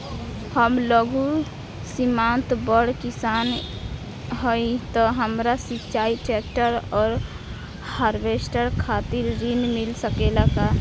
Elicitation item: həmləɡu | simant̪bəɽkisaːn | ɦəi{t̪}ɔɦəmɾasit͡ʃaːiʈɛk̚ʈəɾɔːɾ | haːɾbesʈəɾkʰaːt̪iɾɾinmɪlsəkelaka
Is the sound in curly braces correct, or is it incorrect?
correct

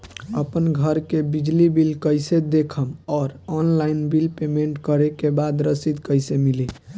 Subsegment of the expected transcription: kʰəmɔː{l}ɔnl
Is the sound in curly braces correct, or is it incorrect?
incorrect: ɾ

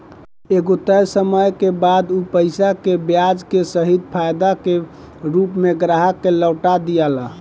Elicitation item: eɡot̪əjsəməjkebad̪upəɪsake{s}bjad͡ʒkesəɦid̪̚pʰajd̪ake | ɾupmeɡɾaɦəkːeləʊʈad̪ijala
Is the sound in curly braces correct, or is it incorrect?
incorrect: none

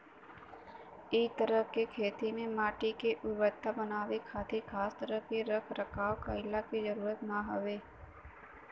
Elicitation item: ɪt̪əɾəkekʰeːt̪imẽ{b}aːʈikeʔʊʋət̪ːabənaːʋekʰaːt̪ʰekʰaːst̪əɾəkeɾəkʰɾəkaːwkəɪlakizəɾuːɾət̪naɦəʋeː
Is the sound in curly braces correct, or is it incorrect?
incorrect: m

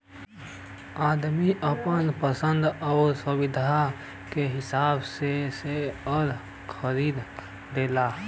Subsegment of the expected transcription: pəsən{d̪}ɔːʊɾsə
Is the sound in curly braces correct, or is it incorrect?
correct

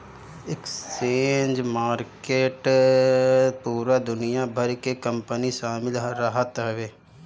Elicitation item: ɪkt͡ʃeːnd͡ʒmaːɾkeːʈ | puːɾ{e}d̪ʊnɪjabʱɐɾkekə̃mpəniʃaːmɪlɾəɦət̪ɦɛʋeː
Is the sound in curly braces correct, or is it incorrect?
incorrect: a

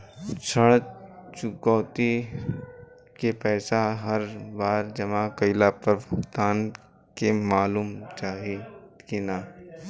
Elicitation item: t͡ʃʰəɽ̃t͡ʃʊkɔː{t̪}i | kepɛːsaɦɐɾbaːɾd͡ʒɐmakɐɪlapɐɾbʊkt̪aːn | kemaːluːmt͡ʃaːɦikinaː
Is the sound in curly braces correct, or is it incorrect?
correct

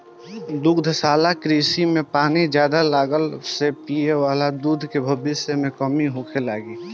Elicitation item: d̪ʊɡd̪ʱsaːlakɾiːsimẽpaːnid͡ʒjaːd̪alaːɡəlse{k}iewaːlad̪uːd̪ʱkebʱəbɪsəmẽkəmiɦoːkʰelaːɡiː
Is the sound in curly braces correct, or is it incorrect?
incorrect: p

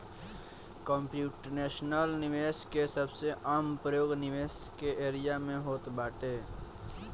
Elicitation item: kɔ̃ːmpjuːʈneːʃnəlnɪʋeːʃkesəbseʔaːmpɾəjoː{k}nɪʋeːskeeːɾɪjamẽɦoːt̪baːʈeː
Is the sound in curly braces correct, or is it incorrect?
incorrect: ɡ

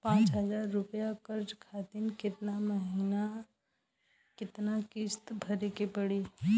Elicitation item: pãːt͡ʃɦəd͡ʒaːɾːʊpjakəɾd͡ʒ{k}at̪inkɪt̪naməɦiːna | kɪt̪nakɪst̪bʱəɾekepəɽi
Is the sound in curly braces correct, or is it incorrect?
incorrect: kʰ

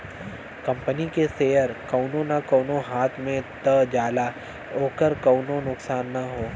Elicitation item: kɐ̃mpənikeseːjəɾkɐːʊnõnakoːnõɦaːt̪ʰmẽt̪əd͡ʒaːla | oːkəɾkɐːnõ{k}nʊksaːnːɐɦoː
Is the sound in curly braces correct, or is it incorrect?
incorrect: none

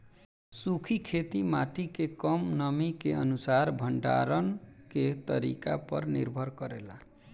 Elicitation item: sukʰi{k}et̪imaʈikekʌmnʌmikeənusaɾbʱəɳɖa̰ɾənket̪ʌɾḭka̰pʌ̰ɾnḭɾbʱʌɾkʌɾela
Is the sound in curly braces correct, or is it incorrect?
incorrect: kʰ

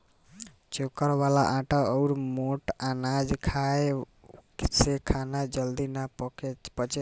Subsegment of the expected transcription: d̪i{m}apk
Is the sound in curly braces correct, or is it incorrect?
incorrect: n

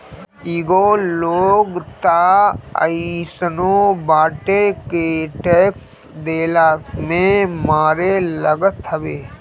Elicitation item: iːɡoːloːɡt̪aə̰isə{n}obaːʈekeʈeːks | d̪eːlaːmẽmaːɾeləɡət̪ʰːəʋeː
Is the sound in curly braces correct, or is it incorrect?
correct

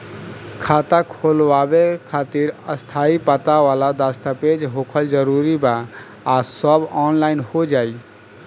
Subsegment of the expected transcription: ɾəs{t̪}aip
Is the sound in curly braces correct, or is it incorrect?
incorrect: t̪ʰ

